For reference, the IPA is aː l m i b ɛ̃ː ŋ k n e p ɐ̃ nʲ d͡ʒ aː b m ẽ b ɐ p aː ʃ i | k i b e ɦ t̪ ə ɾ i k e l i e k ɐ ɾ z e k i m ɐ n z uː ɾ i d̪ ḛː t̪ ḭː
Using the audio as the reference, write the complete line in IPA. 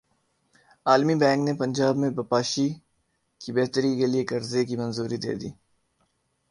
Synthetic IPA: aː l m i b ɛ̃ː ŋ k n e p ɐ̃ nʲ d͡ʒ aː b m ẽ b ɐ p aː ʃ i | k i b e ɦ t̪ ə ɾ i k e l i e k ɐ ɾ z e k i m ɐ n z uː ɾ i d̪ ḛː d̪ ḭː